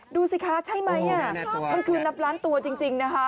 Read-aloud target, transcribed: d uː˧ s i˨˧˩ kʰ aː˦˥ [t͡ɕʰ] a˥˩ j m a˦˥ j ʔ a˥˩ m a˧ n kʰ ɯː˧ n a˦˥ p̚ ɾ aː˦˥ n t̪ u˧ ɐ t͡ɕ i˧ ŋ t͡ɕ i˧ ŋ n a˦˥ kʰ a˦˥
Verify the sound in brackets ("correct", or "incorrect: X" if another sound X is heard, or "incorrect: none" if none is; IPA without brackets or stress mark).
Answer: correct